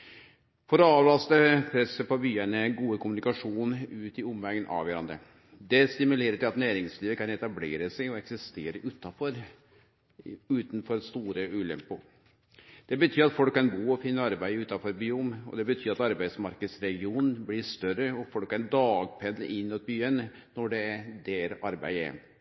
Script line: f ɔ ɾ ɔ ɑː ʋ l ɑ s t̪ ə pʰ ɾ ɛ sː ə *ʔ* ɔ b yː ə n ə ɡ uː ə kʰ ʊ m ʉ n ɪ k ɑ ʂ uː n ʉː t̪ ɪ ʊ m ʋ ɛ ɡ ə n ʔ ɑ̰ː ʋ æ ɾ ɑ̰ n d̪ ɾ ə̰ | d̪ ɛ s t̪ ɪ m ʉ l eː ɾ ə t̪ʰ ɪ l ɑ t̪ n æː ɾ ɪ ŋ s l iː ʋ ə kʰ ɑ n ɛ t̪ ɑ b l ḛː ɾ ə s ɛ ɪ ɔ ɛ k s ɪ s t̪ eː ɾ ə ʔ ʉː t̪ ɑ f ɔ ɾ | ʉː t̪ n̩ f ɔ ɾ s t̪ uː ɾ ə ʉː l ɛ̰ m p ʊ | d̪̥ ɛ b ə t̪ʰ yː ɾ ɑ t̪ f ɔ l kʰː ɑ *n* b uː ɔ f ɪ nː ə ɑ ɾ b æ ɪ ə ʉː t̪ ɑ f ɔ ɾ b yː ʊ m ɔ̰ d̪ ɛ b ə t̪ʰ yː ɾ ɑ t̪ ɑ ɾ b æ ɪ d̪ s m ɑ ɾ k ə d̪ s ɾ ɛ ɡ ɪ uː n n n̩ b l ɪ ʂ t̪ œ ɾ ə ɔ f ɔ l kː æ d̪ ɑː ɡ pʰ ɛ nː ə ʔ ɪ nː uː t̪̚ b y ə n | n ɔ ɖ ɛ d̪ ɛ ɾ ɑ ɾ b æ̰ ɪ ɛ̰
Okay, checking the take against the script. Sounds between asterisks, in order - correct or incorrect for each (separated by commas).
incorrect, correct